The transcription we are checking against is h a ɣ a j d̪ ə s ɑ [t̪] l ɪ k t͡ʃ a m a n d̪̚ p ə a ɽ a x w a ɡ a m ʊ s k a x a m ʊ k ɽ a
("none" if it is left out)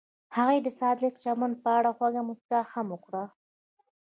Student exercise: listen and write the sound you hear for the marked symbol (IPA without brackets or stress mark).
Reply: d̪